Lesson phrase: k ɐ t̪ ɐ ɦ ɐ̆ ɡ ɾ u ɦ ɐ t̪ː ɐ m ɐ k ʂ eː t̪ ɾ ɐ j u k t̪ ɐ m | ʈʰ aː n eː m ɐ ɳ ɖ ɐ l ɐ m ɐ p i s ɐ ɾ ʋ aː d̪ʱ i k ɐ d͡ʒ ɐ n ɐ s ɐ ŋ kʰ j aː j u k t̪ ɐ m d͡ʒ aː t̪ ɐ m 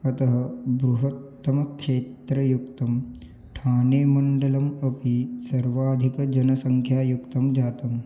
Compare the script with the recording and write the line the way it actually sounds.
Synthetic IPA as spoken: k ɐ t̪ ɐ ɦ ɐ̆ b ɾ u ɦ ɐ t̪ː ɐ m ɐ k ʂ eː t̪ ɾ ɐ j u k t̪ ɐ m | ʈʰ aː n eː m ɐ ɳ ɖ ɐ l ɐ m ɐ p i s ɐ ɾ ʋ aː d̪ʱ i k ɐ d͡ʒ ɐ n ɐ s ɐ ŋ kʰ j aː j u k t̪ ɐ m d͡ʒ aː t̪ ɐ m